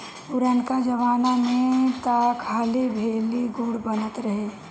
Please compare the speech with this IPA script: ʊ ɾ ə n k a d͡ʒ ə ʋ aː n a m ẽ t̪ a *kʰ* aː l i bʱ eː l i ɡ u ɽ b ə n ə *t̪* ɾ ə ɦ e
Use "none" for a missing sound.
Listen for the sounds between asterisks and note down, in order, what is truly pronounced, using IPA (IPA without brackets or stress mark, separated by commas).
kʰ, t̪